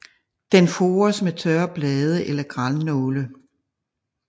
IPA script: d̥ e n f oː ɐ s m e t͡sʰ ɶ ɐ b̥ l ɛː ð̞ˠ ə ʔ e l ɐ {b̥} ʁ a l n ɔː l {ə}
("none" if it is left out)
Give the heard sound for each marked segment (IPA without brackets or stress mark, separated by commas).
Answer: ɡ̥, ə